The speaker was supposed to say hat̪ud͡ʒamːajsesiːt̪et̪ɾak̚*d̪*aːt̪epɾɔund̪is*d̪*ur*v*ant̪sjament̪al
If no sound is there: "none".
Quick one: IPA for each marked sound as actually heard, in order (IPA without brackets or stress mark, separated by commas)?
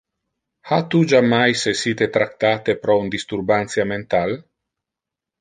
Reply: t̪, t̪, b